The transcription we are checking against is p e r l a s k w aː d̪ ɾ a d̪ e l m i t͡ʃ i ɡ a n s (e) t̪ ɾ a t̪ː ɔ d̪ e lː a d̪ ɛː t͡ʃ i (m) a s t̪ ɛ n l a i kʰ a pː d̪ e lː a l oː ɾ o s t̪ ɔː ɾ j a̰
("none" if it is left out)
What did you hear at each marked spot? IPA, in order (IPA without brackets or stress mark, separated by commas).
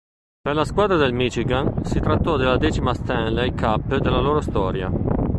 i, m